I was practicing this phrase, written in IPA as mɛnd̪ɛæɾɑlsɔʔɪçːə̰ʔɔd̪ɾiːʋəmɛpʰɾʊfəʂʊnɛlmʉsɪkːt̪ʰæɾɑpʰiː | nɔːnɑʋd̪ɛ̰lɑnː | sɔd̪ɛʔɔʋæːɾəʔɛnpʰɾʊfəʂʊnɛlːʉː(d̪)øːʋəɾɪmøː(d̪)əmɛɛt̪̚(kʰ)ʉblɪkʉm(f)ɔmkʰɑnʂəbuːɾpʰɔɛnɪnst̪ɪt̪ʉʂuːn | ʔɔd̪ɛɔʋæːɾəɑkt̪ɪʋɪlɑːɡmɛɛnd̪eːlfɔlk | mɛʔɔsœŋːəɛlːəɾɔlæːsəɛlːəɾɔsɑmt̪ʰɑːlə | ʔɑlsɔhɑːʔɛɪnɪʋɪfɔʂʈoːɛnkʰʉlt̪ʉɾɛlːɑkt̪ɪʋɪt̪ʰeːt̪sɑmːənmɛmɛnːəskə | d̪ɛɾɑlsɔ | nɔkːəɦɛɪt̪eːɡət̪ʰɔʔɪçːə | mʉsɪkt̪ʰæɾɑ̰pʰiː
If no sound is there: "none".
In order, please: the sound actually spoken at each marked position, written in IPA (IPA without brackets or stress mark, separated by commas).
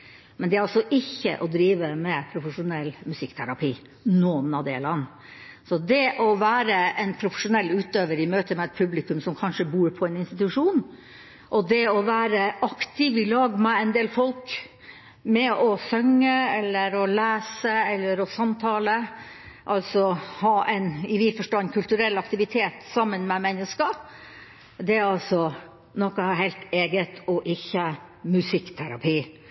t̪, t̪, pʰ, s